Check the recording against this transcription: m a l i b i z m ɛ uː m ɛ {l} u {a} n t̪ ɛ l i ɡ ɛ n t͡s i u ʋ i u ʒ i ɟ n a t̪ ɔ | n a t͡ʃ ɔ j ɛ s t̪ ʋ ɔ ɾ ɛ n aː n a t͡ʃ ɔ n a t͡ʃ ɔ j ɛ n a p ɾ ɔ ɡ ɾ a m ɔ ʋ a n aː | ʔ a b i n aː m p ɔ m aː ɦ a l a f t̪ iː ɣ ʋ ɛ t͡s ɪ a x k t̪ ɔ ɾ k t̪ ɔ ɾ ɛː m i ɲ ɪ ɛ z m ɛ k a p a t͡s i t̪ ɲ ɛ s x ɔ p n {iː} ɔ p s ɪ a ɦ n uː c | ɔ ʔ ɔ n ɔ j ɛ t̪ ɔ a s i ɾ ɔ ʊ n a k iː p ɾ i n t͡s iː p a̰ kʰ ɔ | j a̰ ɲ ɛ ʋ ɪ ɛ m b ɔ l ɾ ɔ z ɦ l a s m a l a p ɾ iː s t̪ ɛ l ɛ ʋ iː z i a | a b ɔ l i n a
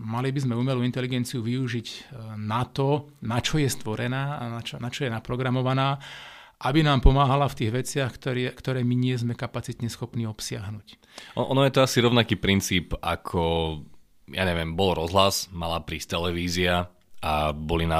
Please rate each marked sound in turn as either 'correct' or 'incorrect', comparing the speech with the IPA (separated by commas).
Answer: correct, incorrect, correct